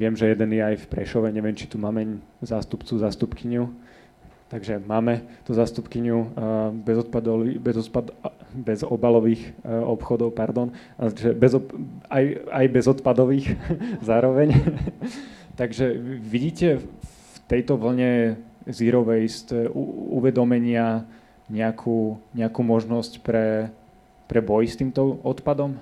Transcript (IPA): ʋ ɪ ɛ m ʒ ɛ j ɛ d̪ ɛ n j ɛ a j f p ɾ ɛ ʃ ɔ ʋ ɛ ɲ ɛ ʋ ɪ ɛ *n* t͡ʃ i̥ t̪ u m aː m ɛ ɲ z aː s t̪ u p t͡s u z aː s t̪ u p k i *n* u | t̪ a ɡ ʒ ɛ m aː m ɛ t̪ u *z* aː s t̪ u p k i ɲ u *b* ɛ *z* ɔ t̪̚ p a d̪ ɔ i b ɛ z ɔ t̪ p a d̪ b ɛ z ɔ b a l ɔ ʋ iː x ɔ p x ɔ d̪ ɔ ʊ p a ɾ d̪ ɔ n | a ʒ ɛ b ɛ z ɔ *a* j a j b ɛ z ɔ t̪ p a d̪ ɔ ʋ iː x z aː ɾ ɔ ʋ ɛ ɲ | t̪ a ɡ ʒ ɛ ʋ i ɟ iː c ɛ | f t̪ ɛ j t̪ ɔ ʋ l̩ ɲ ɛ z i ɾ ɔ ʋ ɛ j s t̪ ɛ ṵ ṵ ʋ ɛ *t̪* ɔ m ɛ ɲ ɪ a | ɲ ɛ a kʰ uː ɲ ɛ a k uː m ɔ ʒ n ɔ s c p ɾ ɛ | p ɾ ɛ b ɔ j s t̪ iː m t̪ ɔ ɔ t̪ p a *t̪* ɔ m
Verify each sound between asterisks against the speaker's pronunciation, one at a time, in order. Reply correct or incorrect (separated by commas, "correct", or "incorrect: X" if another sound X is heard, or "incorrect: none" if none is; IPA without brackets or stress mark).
incorrect: m, incorrect: ɲ, correct, correct, correct, correct, incorrect: d̪, incorrect: d̪